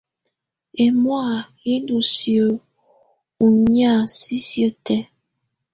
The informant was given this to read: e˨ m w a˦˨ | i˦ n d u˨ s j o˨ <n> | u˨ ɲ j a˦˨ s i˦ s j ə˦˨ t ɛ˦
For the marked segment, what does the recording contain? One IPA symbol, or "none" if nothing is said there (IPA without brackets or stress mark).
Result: none